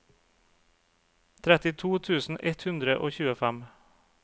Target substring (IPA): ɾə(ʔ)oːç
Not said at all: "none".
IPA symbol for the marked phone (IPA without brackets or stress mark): ʔ